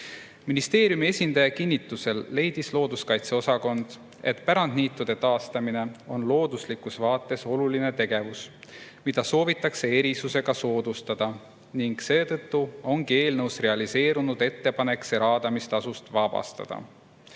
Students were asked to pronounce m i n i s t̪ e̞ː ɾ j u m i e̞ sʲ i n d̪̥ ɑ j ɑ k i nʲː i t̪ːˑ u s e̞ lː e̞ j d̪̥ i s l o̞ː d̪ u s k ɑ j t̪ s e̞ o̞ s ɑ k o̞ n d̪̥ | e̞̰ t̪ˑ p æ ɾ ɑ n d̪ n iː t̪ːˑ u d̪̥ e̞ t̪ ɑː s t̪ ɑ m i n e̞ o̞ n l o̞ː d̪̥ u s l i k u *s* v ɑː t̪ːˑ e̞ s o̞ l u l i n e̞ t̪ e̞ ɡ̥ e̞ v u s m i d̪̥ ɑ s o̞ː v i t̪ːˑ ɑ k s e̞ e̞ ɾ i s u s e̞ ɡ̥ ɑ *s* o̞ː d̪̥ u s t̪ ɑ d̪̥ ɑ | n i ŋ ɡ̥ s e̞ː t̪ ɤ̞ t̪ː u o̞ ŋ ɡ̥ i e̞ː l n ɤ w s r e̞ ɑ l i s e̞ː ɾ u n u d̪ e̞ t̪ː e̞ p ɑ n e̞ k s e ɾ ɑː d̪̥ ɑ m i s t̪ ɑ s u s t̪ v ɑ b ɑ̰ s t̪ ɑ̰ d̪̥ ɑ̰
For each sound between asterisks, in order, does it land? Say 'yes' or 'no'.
yes, yes

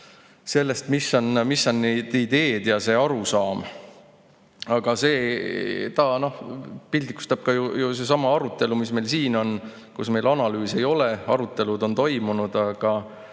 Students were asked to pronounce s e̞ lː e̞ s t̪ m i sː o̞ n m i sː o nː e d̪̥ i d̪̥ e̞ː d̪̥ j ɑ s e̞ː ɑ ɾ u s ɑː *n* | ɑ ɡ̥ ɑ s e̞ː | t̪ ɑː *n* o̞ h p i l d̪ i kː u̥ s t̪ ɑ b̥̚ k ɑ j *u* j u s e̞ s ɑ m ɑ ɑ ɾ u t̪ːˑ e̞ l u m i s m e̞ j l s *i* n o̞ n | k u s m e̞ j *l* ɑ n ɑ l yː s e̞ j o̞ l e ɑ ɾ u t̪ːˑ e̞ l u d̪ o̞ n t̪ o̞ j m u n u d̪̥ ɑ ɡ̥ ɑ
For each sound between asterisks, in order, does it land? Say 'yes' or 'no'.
no, yes, yes, no, yes

